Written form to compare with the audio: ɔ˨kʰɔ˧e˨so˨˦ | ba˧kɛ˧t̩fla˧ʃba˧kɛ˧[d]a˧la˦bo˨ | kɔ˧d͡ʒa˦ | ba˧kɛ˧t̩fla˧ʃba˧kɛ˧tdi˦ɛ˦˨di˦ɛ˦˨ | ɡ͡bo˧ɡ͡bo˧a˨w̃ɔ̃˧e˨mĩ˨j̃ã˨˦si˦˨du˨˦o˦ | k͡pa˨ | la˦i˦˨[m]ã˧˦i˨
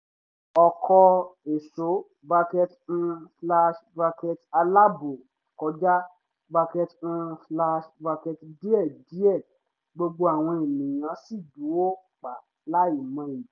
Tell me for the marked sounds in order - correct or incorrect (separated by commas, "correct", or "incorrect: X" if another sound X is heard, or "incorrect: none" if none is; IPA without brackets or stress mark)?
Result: incorrect: t, correct